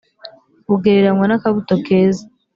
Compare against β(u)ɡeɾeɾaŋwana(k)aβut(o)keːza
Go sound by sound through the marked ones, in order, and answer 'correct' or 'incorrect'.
correct, correct, correct

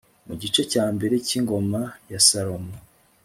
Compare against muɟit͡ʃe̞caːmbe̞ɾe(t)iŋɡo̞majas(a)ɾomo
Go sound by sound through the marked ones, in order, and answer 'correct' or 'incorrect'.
incorrect: c, correct

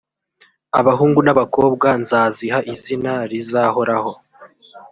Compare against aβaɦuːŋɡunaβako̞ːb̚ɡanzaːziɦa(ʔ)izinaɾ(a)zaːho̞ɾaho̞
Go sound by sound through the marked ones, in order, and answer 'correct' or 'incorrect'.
correct, incorrect: i

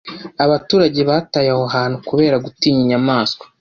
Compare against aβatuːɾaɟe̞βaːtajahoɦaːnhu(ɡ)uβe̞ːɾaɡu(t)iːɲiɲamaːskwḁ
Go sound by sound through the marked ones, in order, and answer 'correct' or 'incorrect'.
incorrect: k, correct

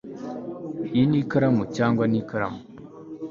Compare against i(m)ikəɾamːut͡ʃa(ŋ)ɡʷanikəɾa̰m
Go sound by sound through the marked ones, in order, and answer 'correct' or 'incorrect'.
incorrect: n, correct

